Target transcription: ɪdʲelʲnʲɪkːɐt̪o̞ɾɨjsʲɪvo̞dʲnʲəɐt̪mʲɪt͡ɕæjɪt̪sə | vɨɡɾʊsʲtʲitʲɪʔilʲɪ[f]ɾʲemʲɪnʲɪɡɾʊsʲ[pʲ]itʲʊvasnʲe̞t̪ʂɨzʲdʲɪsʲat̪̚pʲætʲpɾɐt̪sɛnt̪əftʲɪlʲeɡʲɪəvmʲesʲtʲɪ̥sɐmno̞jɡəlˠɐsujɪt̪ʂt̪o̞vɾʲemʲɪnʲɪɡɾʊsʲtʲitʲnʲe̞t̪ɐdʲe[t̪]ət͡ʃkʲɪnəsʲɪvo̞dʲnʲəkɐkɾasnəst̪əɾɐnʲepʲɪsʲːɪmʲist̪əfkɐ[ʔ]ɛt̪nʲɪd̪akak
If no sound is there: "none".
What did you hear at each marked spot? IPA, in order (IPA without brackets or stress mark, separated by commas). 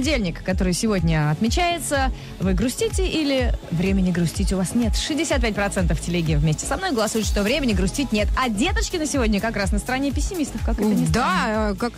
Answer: v, tʲ, t̪, k